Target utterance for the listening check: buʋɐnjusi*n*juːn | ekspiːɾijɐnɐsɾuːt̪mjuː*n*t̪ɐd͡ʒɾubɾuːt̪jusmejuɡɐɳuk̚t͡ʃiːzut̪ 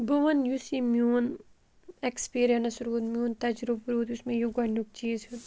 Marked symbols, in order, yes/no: no, yes

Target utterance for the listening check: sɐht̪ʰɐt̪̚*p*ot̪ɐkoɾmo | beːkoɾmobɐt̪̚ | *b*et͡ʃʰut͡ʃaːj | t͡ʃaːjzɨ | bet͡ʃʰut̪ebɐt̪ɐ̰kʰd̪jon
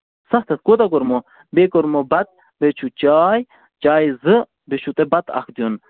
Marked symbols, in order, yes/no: no, yes

